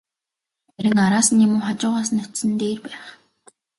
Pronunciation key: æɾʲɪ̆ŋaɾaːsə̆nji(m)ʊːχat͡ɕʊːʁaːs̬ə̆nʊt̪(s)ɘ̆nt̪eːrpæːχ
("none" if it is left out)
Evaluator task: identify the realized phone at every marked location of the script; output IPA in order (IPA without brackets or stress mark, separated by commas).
m, s